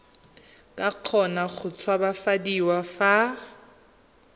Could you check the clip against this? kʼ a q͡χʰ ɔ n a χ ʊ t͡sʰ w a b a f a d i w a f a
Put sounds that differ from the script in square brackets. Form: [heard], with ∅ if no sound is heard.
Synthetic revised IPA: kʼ a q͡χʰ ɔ n a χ ʊ t͡sʰ w a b a f a d i w a f a